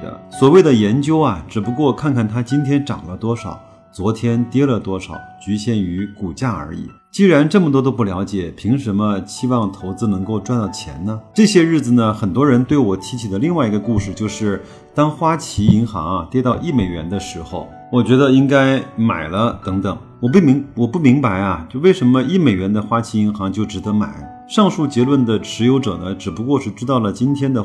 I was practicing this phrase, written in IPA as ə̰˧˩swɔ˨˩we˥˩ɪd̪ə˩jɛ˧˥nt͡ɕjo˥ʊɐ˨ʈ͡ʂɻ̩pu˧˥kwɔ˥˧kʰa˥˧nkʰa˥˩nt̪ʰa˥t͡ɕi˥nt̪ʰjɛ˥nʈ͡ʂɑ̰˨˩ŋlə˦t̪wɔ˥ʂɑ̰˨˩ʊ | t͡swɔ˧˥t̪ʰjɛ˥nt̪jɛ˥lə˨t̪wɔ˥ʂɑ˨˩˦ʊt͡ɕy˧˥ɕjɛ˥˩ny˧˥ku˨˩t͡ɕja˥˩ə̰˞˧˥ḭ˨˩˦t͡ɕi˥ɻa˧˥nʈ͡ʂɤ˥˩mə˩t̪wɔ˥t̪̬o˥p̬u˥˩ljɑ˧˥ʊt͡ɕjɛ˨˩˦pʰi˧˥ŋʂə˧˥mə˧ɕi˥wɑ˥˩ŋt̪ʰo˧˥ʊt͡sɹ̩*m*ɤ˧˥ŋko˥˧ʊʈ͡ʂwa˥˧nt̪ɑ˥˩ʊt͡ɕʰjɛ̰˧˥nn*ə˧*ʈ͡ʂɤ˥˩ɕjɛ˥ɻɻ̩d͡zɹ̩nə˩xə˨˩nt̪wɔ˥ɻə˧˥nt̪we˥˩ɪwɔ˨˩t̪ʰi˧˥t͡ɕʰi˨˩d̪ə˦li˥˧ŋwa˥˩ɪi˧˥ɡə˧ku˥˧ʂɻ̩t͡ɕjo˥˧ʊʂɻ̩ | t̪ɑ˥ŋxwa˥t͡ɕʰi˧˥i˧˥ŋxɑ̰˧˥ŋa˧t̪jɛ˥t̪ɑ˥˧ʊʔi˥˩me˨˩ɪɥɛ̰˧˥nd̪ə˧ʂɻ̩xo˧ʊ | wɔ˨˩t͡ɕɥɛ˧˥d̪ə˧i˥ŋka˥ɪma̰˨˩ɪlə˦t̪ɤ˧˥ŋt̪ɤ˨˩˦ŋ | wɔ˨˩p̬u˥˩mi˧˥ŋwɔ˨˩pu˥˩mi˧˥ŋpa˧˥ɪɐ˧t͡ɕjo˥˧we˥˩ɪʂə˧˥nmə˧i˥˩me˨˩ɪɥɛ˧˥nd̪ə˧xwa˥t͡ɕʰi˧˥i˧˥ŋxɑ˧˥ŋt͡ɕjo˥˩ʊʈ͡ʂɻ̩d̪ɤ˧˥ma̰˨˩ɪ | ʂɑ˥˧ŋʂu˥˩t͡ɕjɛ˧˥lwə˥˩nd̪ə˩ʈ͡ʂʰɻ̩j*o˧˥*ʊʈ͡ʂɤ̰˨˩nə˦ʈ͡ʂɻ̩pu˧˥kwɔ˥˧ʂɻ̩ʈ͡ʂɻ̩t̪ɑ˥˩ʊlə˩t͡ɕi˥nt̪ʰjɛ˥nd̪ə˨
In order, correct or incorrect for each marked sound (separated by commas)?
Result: incorrect, correct, correct